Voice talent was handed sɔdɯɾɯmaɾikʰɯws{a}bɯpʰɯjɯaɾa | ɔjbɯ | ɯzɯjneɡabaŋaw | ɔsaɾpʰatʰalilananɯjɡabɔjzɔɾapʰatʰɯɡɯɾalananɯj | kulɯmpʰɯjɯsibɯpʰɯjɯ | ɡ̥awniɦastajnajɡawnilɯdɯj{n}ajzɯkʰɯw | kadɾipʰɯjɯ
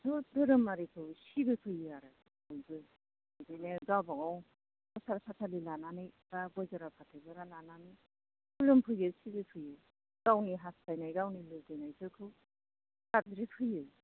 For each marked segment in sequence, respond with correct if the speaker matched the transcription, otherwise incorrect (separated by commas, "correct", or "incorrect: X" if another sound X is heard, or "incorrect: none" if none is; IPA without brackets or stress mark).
incorrect: i, correct